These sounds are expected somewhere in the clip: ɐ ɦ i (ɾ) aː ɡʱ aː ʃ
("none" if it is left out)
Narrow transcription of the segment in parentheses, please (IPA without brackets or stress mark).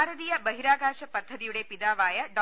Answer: ɾ